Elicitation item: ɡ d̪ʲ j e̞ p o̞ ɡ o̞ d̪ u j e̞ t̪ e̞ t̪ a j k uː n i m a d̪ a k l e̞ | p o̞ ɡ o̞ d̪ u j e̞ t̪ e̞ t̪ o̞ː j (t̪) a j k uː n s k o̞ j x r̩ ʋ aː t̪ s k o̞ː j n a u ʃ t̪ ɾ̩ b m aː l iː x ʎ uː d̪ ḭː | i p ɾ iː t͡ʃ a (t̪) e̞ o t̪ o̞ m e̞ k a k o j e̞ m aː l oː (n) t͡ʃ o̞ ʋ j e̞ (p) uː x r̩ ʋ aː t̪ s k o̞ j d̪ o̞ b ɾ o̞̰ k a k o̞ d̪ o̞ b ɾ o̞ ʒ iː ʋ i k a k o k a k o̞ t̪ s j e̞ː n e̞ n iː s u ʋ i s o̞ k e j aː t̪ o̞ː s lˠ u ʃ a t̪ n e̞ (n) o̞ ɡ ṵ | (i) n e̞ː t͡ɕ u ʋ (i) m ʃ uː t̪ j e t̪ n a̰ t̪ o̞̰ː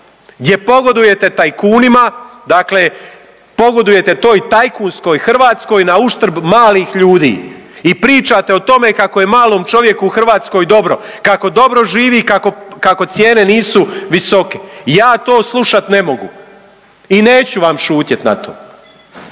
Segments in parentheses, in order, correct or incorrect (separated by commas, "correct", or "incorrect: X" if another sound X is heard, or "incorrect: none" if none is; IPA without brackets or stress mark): correct, correct, incorrect: m, incorrect: k, incorrect: m, correct, incorrect: a